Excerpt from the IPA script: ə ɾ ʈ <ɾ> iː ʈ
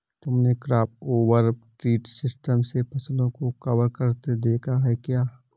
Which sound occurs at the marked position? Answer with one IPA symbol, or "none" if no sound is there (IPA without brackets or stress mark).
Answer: ɾ